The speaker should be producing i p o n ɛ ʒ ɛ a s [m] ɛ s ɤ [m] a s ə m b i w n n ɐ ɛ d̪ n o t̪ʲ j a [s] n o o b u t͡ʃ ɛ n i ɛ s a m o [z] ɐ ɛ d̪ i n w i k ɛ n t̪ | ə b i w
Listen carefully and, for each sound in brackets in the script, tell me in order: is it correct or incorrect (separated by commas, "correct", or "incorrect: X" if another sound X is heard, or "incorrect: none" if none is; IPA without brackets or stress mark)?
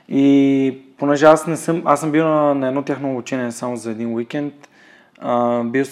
incorrect: n, correct, incorrect: x, correct